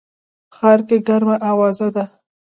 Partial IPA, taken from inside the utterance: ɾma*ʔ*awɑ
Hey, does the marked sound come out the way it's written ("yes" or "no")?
yes